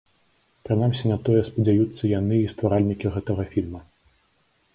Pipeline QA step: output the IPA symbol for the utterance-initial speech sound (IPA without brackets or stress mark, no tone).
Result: p